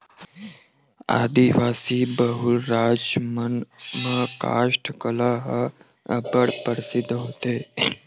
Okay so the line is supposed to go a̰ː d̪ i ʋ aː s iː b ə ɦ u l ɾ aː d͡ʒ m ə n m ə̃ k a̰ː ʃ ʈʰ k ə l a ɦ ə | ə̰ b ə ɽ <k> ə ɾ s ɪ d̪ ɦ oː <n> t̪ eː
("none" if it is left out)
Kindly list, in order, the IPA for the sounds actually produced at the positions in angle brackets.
p, none

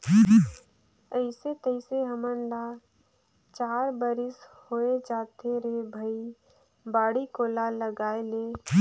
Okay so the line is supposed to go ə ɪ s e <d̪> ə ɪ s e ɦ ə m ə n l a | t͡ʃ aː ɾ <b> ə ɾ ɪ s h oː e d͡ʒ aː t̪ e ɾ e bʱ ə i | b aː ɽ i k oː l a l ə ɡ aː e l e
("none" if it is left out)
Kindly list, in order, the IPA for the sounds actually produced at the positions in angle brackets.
t̪, b

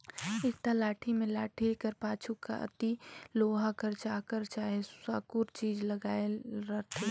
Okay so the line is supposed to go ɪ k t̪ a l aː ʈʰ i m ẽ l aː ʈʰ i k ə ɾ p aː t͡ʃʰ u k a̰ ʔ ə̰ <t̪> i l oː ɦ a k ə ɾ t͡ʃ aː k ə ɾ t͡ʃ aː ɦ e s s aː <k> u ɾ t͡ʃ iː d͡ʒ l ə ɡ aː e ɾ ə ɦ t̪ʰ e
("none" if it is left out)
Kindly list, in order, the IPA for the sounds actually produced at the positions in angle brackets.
t̪, k

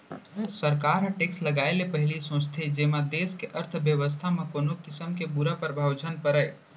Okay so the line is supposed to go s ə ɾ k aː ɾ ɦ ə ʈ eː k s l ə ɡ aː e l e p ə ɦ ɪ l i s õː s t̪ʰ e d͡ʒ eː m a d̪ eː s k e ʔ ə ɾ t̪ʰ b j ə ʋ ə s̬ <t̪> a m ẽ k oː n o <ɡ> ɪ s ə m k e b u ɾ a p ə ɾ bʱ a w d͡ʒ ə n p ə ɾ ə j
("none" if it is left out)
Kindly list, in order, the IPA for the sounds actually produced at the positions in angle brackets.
t̪ʰ, k

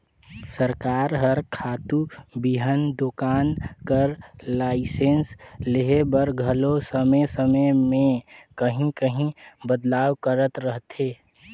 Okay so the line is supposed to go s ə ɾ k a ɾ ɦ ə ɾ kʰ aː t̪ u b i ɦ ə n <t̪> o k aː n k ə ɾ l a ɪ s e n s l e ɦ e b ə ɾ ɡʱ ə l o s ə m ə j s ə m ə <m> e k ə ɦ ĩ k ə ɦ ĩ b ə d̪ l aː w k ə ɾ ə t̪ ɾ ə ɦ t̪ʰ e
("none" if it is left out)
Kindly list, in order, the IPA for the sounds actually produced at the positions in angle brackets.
d̪, m

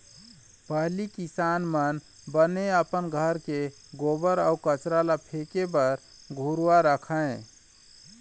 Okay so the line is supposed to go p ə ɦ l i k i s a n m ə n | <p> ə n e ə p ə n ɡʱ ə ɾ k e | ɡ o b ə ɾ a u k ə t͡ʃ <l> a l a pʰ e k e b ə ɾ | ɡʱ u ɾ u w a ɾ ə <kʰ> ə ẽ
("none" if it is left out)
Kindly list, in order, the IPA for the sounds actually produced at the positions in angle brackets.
b, ɾ, kʰ

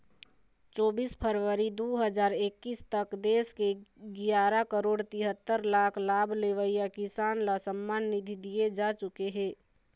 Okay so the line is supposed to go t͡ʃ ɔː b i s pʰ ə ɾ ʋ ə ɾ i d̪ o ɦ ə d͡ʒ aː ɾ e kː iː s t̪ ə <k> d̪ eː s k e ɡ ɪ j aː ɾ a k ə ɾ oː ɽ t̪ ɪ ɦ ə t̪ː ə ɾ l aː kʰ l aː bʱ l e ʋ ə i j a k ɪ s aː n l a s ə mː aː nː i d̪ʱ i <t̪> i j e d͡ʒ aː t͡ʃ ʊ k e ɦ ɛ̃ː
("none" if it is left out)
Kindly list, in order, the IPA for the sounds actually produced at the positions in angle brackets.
k, d̪

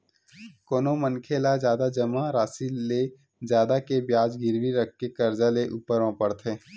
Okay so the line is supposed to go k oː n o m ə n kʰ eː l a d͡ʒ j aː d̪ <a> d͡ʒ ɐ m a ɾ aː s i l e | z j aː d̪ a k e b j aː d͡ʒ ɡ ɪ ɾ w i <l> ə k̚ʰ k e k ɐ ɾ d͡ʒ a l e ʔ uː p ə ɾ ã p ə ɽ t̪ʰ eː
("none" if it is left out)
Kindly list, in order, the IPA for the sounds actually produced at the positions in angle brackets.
a, ɾ

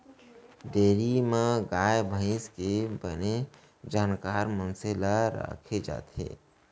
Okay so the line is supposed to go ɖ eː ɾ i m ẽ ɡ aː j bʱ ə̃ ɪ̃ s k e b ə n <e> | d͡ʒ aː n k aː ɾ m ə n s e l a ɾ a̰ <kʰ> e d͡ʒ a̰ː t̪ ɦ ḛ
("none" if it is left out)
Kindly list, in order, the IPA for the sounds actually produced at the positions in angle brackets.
e, kʰ

